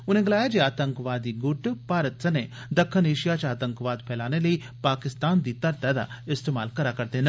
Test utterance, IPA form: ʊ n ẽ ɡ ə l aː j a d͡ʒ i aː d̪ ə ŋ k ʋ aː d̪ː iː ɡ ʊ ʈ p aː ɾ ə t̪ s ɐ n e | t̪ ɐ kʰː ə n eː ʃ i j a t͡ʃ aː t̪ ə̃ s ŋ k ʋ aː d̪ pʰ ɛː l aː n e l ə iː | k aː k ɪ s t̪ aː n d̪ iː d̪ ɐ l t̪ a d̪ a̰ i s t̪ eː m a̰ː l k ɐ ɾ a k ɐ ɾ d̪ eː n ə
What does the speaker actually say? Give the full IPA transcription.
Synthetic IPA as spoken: ʊ n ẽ ɡ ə l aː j a d͡ʒ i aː t̪ ə ŋ k ʋ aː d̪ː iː ɡ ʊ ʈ p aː ɾ ə t̪ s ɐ n e | d̪ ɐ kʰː ə n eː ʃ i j a t͡ʃ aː t̪ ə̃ ŋ k ʋ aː d̪ pʰ ɛː l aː n e l ə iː | p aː k ɪ s t̪ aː n d̪ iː t̪ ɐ ɾ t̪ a d̪ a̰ ɪ s t̪ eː m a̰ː l k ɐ ɾ a k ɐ ɾ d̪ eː n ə